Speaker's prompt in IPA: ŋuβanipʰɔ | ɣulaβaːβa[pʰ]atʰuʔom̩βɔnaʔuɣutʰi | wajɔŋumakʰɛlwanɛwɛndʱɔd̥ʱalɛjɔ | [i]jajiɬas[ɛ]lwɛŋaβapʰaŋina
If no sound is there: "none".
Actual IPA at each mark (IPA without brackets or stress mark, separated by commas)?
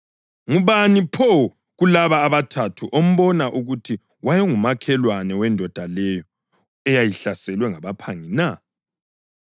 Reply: tʰ, ɛ, ɛ